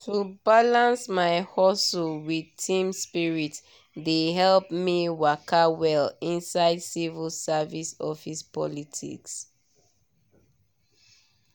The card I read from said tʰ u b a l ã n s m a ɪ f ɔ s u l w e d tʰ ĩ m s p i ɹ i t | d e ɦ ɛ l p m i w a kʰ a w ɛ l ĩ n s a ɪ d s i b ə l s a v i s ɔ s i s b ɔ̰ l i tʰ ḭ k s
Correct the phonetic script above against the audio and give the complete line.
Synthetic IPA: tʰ u b a l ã n s m a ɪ h ɔ s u l w i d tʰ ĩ m s p i ɹ i t | d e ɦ ɛ l p m i w a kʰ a w ɛ l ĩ n s a ɪ d s i v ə l s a v i s ɔ f i s p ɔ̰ l i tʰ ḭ k s